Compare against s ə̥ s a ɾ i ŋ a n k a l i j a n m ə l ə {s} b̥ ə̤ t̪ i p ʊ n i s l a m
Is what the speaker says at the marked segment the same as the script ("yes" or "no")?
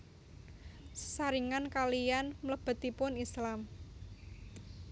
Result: no